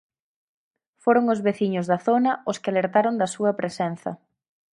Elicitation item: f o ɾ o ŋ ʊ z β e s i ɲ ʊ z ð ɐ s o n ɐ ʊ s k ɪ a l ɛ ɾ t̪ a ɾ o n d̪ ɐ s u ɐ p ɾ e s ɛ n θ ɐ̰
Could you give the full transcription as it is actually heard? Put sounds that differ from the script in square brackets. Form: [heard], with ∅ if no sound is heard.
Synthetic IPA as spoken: f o ɾ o ŋ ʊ z β e [θ] i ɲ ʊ z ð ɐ [θ] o n ɐ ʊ s k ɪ a l [e] ɾ t̪ a ɾ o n d̪ ɐ s u ɐ p ɾ e s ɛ n θ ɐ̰